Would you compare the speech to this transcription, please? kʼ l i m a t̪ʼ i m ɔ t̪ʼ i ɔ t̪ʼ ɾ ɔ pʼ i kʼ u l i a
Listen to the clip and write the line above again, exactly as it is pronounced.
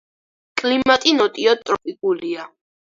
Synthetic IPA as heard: kʼ l i m a t̪ʼ i n ɔ t̪ʼ i ɔ t̪ʼ ɾ ɔ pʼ i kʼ u l i a